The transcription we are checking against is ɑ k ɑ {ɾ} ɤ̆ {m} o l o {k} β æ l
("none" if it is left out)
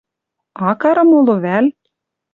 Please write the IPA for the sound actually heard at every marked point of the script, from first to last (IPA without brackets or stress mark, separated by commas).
ɾ, m, none